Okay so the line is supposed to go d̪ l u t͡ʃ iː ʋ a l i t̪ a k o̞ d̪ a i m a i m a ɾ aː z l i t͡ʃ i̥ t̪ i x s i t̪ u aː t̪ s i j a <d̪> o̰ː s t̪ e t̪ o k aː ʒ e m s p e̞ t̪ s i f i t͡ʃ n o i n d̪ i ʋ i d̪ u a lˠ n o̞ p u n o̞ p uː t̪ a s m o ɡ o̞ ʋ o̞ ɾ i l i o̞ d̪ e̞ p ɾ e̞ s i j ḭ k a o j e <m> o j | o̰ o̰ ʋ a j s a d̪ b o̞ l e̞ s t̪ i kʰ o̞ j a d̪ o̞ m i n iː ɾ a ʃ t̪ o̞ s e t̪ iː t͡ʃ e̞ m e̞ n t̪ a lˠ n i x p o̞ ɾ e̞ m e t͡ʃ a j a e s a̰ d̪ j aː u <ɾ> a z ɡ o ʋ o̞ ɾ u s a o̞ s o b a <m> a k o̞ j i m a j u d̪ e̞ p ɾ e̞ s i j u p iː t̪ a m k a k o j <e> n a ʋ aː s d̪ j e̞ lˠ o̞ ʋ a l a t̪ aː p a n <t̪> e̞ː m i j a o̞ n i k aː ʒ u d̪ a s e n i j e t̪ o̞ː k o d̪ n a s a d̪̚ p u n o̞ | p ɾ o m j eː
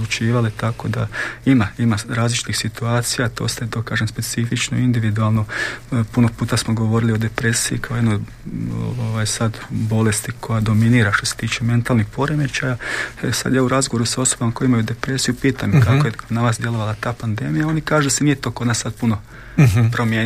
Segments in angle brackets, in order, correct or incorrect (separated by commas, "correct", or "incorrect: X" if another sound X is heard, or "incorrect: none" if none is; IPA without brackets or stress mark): incorrect: t̪, incorrect: n, correct, correct, correct, incorrect: d̪